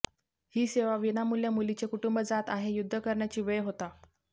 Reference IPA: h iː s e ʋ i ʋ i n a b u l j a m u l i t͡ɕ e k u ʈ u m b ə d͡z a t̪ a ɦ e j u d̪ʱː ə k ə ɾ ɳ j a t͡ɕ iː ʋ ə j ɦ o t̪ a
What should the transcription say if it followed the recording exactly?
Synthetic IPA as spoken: h iː s e ʋ a ʋ i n a m u l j a m u l i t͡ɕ e k u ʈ u m b ə d͡z a t̪ a ɦ e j u d̪ʱː ə k ə ɾ ɳ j a t͡ɕ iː ʋ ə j ɦ o t̪ a